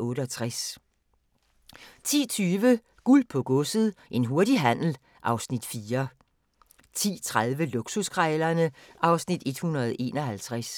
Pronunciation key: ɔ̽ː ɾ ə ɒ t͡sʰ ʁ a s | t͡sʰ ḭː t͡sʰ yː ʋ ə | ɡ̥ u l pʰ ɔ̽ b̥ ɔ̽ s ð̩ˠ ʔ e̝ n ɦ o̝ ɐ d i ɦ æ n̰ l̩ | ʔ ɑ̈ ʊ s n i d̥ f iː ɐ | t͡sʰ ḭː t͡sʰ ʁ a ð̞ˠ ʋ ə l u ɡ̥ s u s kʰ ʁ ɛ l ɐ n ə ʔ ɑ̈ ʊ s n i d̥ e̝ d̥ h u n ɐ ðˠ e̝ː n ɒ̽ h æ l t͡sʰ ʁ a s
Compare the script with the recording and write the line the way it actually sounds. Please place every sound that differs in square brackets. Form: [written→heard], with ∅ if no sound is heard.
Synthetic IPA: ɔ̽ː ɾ ə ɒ t͡sʰ ʁ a s | t͡sʰ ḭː t͡sʰ yː ʋ ə | ɡ̥ u l pʰ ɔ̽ [b̥→ɡ̥] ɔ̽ s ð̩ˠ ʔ e̝ n ɦ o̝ ɐ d i ɦ æ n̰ l̩ | ʔ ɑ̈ ʊ s n i d̥ f iː ɐ | t͡sʰ ḭː t͡sʰ ʁ a ð̞ˠ ʋ ə l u ɡ̥ s u s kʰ ʁ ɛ l ɐ n ə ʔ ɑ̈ ʊ s n i d̥ e̝ d̥ h u n ɐ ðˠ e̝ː n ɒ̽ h æ l t͡sʰ ʁ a s

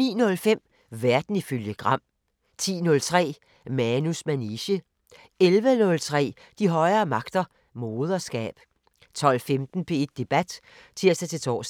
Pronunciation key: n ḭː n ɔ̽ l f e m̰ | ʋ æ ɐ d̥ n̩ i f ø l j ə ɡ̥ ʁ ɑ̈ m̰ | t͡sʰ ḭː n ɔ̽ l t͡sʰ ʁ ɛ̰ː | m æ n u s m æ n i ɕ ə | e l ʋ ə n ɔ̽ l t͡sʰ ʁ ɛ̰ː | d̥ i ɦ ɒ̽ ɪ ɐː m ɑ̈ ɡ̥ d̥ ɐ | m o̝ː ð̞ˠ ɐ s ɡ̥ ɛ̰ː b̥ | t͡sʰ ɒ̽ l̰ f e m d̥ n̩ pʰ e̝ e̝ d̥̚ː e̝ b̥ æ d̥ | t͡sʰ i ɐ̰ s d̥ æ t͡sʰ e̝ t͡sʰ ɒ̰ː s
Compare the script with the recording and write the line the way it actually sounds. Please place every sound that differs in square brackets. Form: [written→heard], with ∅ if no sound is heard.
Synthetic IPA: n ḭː n ɔ̽ l f e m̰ | ʋ æ ɐ d̥ n̩ i f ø l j ə ɡ̥ ʁ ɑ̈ m̰ | t͡sʰ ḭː n ɔ̽ l t͡sʰ ʁ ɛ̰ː | m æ n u s m æ n i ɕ ə | e l ʋ ə n ɔ̽ l t͡sʰ ʁ ɛ̰ː | d̥ i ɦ ɒ̽ ɪ ɐː m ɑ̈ ɡ̥ d̥ ɐ | m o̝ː ð̞ˠ ɐ s ɡ̥ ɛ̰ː b̥ | t͡sʰ ɒ̽ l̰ f e m d̥ n̩ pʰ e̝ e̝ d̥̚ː e̝ b̥ æ d̥ | t͡sʰ i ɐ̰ s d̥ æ t͡sʰ e̝ t͡sʰ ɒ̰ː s

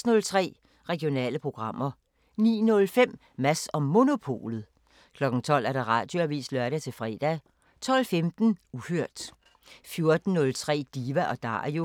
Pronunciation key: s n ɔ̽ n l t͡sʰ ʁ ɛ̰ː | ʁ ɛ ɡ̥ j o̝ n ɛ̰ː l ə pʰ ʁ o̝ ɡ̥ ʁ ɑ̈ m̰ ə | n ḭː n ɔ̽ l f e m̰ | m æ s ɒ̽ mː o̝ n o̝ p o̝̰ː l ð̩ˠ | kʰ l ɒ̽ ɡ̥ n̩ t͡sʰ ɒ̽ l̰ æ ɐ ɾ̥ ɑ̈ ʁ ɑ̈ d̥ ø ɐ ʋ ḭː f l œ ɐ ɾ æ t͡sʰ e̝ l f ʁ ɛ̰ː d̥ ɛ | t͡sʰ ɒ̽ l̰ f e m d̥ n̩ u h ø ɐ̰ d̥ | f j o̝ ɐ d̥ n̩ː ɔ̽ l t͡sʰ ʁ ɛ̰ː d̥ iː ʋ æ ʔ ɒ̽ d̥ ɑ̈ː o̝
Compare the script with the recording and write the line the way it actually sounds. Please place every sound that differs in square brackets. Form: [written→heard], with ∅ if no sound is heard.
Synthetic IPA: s n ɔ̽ [n→∅] l t͡sʰ ʁ ɛ̰ː | ʁ ɛ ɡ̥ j o̝ n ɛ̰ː l ə pʰ ʁ o̝ ɡ̥ ʁ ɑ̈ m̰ [ə→ɐ] | n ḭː n ɔ̽ l f e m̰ | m æ s ɒ̽ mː o̝ n o̝ [p→pʰ] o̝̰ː l ð̩ˠ | kʰ l ɒ̽ ɡ̥ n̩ t͡sʰ ɒ̽ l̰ æ ɐ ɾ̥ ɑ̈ ʁ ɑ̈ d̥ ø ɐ ʋ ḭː [f→s] l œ ɐ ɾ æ t͡sʰ e̝ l f ʁ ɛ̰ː d̥ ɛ | t͡sʰ ɒ̽ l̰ f e m d̥ n̩ u h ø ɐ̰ d̥ | f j o̝ ɐ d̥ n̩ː ɔ̽ l t͡sʰ ʁ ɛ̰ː d̥ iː ʋ æ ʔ ɒ̽ d̥ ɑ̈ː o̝

